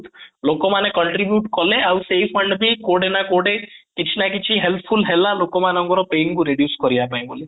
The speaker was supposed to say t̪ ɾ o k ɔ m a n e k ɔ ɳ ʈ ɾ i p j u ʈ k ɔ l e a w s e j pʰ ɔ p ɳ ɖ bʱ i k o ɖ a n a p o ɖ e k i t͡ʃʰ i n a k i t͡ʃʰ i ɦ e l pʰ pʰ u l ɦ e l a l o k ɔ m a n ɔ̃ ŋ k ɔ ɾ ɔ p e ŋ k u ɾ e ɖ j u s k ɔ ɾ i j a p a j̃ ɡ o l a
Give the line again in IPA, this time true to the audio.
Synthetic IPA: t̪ l o k ɔ m a n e k ɔ ɳ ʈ ɾ i b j u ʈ k ɔ l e a w s e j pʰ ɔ ɳ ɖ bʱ i k o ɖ e n a k o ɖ e k i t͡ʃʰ i n a k i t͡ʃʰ i ɦ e l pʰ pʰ u l ɦ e l a l o k ɔ m a n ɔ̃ ŋ k ɔ ɾ ɔ p e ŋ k u ɾ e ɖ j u s k ɔ ɾ i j a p a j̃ b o l i